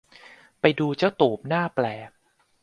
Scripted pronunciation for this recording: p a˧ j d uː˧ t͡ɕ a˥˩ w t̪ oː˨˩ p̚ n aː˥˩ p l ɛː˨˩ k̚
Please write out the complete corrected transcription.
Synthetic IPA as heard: p a˧ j d uː˧ t͡ɕ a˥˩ w t̪ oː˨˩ p̚ n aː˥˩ p l ɛː˨˩ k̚